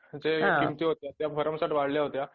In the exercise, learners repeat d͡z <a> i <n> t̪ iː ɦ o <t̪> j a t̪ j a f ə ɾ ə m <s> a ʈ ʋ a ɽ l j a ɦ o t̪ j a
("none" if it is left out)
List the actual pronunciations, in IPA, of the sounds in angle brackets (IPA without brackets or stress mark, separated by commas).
e, m, t̪, s